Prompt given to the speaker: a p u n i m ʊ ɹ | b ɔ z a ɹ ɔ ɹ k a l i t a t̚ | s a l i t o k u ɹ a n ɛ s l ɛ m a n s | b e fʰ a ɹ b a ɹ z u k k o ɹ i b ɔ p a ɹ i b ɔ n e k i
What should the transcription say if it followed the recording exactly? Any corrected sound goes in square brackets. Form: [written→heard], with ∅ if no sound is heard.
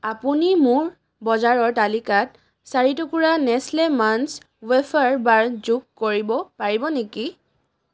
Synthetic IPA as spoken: a p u n i m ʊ ɹ | b ɔ z a ɹ ɔ ɹ [k→t] a l i [t→k] a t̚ | s a [l→ɹ] i t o k u ɹ a n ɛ s l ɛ m a n s | [b→w] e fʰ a ɹ b a ɹ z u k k o ɹ i b ɔ p a ɹ i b ɔ n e k i